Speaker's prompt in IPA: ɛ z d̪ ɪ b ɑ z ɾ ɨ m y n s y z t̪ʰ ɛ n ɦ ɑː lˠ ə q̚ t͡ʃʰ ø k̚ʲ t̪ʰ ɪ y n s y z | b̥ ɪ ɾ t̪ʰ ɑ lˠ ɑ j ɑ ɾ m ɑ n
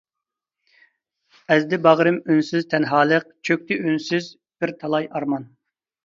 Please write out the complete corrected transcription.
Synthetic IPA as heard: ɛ z d̪ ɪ b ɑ ʁ ɾ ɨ m y n s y z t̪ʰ ɛ n ɦ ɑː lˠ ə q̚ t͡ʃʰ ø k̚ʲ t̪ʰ ɪ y n s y z | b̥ ɪ ɾ t̪ʰ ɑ lˠ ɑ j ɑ ɾ m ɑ n